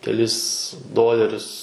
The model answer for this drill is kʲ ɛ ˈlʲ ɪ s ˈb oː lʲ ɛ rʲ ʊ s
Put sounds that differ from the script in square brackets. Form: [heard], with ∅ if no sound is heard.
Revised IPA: kʲ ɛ ˈlʲ ɪ s [ˈd] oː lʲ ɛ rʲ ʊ s